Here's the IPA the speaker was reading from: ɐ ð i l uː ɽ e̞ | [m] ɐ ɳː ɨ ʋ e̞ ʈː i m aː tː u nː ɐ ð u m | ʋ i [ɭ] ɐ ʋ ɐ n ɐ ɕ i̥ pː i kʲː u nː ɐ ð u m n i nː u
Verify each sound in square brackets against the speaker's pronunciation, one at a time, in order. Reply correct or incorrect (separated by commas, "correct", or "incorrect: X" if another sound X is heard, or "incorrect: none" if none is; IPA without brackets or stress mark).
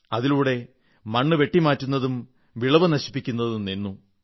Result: correct, correct